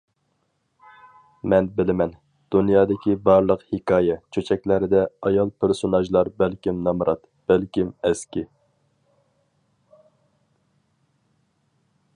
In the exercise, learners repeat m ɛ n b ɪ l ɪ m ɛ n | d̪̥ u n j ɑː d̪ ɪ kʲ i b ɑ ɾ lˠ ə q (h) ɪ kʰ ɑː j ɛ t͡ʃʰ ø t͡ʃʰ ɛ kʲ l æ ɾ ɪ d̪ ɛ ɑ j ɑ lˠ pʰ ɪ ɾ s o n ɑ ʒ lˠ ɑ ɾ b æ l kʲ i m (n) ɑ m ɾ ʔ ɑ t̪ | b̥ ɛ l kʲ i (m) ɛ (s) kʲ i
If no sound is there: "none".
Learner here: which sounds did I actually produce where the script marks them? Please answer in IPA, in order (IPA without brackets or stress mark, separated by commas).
h, n, m, s